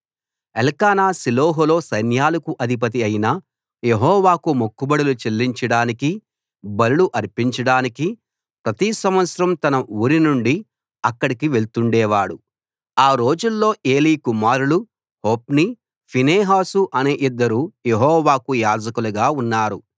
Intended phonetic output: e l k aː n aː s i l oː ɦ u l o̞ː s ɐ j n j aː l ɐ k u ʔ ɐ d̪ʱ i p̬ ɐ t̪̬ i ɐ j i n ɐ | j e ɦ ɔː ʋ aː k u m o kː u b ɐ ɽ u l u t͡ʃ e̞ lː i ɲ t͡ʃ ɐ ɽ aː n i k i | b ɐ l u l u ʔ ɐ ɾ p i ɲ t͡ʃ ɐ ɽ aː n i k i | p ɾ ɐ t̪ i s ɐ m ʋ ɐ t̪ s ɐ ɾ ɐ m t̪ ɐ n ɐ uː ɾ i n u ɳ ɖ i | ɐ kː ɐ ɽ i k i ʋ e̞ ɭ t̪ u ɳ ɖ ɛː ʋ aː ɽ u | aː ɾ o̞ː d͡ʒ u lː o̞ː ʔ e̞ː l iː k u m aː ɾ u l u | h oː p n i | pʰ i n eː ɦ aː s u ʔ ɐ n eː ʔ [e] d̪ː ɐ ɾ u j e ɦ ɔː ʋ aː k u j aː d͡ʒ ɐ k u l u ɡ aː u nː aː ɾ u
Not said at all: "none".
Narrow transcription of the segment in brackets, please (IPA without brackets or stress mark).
i